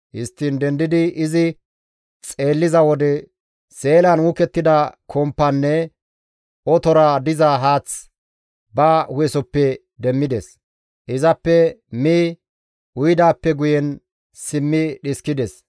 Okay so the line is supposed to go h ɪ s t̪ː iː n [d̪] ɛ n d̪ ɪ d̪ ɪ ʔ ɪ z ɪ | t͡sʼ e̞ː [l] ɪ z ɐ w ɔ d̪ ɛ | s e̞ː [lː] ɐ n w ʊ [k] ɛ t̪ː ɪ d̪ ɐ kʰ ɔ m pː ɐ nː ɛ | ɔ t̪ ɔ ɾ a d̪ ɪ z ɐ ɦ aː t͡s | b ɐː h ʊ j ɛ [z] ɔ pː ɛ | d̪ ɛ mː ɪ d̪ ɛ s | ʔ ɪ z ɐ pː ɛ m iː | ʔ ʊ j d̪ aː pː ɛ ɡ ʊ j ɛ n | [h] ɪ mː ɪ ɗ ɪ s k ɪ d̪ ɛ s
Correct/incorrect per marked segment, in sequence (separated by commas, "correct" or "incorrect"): correct, incorrect, incorrect, correct, incorrect, incorrect